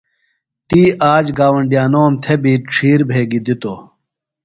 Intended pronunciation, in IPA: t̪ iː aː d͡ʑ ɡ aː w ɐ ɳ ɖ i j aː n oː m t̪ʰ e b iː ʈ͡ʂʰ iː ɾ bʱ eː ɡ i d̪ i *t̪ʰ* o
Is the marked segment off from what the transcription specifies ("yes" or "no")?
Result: yes